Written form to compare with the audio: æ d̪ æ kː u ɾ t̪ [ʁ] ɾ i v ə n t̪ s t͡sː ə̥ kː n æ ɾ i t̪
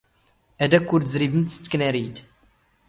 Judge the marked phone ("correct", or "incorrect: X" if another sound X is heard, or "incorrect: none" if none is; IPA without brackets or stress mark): incorrect: z